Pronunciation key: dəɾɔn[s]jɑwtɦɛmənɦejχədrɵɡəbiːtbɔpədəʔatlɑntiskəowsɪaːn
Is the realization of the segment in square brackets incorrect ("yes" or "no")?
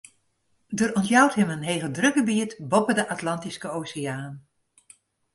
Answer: yes